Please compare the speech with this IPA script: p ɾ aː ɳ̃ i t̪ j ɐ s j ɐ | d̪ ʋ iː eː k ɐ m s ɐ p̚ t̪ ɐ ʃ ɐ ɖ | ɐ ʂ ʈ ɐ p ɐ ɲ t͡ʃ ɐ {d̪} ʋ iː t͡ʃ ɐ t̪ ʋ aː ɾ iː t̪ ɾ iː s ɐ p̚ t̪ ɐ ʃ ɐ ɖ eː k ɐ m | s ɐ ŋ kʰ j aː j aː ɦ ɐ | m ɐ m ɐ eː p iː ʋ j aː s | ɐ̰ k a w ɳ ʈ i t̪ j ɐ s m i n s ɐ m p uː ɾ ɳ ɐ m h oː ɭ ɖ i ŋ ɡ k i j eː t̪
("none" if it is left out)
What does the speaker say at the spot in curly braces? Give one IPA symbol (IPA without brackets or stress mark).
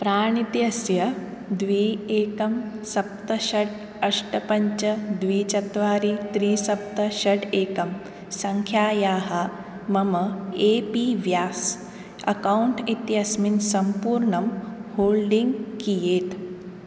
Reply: d̪